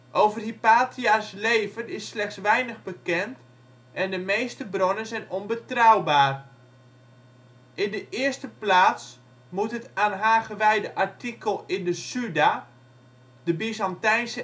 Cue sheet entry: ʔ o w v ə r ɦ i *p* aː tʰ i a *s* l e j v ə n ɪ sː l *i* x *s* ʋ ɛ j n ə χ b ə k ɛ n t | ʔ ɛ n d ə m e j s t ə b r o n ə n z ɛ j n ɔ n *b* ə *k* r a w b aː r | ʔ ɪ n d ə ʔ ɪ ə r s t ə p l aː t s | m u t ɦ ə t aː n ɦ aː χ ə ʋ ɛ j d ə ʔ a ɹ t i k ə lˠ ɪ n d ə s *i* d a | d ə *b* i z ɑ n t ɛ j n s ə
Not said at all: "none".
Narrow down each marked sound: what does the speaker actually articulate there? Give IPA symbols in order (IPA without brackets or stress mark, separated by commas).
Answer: p, s, ɛ, s, b, t, y, b